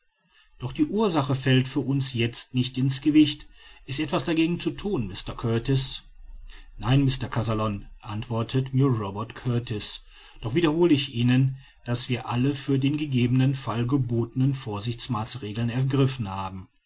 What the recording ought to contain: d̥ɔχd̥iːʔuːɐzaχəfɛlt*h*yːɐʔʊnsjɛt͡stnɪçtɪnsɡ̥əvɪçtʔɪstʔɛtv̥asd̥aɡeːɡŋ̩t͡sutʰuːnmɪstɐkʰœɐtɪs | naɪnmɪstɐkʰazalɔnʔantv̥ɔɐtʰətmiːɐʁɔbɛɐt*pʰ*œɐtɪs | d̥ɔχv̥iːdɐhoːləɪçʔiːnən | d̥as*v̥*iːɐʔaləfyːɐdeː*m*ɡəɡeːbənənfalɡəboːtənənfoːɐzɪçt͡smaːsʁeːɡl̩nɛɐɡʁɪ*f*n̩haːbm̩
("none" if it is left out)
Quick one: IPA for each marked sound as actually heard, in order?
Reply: f, kʰ, v̥, n, f

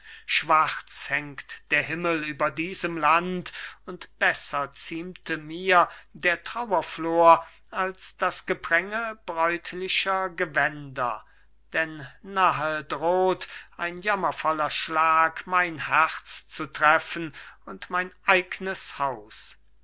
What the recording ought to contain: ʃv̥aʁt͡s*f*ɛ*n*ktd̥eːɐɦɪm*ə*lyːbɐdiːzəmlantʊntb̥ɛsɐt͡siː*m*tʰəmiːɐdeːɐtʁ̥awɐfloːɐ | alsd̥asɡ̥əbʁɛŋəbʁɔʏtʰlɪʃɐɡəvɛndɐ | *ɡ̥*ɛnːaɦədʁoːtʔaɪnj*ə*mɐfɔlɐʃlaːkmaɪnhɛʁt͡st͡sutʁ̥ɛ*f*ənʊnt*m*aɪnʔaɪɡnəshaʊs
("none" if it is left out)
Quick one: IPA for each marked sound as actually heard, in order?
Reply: h, ŋ, ə, m, d̥, a, f, m

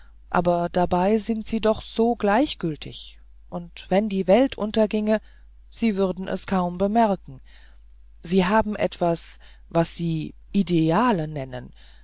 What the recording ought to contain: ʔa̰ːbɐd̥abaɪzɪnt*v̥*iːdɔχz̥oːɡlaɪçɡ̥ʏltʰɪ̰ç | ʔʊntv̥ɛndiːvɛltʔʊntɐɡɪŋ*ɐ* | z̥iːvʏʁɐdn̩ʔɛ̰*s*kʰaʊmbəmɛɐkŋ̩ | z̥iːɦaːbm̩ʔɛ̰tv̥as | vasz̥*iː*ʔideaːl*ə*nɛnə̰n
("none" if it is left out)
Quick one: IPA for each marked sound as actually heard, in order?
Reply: z̥, ə, s, iː, ə

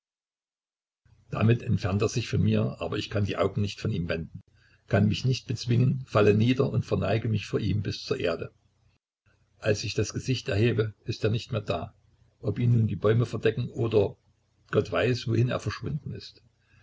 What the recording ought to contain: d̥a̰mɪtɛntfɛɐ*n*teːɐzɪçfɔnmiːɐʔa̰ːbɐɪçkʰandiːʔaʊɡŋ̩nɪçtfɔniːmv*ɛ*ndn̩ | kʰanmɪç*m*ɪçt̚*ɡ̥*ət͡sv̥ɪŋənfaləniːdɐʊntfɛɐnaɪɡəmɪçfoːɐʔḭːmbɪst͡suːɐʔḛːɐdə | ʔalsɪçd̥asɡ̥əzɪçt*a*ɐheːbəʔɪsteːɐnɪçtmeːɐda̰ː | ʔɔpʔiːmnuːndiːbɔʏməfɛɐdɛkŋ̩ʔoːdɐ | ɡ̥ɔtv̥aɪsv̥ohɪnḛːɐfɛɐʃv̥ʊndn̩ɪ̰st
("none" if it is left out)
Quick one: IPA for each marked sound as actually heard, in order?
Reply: n, ɛ, n, b̥, ɛ

